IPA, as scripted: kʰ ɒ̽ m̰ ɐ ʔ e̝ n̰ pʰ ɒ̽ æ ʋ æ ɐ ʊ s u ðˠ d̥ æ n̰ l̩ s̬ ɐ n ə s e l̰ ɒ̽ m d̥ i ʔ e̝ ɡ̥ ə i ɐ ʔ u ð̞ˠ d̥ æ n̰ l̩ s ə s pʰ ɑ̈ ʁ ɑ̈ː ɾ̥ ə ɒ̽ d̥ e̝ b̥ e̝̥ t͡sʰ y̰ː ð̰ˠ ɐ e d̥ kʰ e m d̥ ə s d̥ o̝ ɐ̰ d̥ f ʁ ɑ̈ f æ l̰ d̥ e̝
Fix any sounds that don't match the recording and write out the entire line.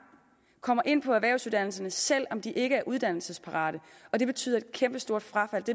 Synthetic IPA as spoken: kʰ ɒ̽ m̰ ɐ ʔ e̝ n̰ pʰ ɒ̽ æ ʋ æ ɐ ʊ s u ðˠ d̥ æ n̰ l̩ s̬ ɐ n ə s e l̰ ɒ̽ m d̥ i ʔ e̝ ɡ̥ ə æ ɐ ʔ u ð̞ˠ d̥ æ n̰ l̩ s ə s pʰ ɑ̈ ʁ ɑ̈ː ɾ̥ ə ɒ̽ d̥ e̝ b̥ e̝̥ t͡sʰ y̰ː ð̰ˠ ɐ e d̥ kʰ e m b̥ ə s d̥ o̝ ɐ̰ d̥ f ʁ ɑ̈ f æ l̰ d̥ e̝